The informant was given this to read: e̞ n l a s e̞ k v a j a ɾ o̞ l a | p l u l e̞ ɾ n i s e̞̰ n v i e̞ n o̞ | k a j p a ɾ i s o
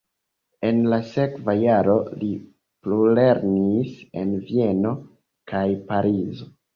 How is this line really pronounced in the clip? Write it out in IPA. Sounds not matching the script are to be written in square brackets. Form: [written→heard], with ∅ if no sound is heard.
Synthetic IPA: e̞ n l a s e̞ k v a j a ɾ o̞ l [a→i] | p l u l e̞ ɾ n i s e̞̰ n v i e̞ n o̞ | k a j p a ɾ i [s→z] o